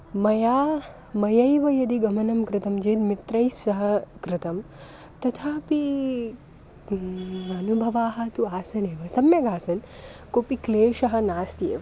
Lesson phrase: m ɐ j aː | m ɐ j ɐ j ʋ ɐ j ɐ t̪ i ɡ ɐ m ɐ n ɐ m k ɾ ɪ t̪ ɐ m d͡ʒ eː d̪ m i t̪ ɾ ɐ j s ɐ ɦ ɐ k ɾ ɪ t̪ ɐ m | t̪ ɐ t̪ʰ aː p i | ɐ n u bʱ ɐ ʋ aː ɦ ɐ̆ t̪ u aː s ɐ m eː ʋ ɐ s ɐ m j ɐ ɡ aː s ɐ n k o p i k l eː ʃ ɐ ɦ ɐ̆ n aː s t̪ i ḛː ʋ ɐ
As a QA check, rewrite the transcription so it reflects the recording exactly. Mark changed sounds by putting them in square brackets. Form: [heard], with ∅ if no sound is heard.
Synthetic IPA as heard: m ɐ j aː | m ɐ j ɐ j ʋ ɐ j ɐ [d̪] i ɡ ɐ m ɐ n ɐ m k ɾ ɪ t̪ ɐ m d͡ʒ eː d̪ m i t̪ ɾ ɐ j s ɐ ɦ ɐ k ɾ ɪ t̪ ɐ m | t̪ ɐ t̪ʰ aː p i | ɐ n u bʱ ɐ ʋ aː ɦ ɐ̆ t̪ u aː s ɐ [n] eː ʋ ɐ s ɐ m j ɐ ɡ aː s ɐ n k o p i k l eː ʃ ɐ ɦ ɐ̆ n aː s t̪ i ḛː ʋ ɐ